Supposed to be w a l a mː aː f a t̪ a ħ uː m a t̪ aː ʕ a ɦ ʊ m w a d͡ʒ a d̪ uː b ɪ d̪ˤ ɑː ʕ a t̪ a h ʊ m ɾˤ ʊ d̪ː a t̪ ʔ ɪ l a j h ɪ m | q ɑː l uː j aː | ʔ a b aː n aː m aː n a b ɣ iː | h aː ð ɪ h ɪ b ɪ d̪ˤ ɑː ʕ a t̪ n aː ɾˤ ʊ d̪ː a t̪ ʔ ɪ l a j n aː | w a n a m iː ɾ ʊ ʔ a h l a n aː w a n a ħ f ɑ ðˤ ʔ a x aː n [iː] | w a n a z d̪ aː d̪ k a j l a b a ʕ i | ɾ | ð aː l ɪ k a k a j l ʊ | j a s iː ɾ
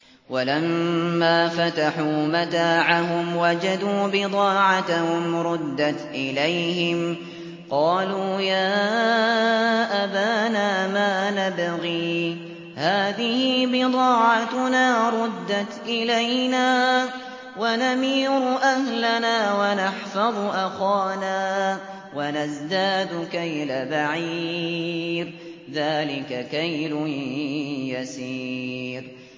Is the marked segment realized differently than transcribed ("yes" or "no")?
yes